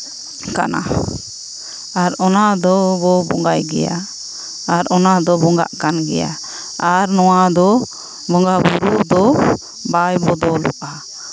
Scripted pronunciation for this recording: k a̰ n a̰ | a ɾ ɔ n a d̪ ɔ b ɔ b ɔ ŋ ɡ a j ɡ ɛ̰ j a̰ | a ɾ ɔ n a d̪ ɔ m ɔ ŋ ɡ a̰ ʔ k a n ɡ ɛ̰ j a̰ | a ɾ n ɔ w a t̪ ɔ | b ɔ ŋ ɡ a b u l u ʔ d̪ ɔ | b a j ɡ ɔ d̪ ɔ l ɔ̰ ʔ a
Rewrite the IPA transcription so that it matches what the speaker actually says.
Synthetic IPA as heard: k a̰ n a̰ | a ɾ ɔ n a d̪ ɔ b ɔ b ɔ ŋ ɡ a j ɡ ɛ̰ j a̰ | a ɾ ɔ n a d̪ ɔ b ɔ ŋ ɡ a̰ ʔ k a n ɡ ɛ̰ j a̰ | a ɾ n ɔ w a d̪ ɔ | b ɔ ŋ ɡ a b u ɾ u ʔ d̪ ɔ | b a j b ɔ d̪ ɔ l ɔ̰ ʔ a